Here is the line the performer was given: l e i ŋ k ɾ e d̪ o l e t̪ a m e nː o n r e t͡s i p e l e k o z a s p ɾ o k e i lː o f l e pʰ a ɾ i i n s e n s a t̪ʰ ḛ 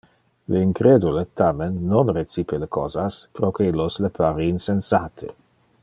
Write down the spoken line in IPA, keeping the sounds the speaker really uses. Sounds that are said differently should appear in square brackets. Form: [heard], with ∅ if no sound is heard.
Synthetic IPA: l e i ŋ k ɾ e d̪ [u] l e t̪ a m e nː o n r e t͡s i p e l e k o z a s p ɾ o k e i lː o [s] l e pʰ a ɾ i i n s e n s a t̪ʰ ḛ